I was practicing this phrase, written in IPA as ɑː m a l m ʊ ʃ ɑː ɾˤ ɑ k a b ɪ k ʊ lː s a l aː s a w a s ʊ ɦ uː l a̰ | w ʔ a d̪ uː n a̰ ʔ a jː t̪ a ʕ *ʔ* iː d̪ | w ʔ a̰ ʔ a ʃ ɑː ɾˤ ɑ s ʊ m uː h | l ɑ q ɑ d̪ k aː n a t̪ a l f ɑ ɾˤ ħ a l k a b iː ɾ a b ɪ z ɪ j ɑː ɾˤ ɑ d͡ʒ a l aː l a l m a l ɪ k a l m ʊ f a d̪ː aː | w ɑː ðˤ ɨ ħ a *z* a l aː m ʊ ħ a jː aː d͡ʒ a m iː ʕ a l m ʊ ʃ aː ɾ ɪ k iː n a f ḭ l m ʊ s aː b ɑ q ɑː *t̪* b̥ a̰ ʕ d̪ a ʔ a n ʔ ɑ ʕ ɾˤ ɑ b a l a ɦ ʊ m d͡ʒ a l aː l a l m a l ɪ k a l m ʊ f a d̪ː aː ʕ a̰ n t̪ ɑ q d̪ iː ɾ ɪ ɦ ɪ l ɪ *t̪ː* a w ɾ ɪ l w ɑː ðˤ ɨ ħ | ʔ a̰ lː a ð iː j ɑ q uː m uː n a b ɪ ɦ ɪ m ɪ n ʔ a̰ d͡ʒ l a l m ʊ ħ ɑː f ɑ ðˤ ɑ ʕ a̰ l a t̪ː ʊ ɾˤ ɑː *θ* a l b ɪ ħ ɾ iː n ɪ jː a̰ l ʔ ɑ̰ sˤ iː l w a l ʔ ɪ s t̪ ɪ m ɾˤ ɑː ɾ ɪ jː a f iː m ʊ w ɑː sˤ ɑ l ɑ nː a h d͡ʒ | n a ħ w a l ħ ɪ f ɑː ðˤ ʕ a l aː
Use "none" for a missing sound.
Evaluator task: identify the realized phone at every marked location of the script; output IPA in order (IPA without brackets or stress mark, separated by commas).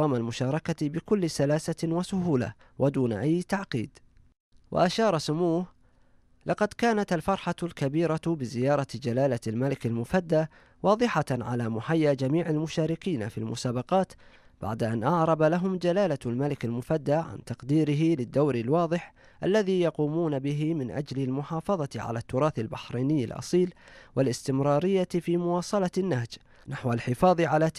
q, ʕ, t̪, d̪ː, θ